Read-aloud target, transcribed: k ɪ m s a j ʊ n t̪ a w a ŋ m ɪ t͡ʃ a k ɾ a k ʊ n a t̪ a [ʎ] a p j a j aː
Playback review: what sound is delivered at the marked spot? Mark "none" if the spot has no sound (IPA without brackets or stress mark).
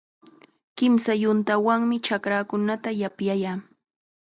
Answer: j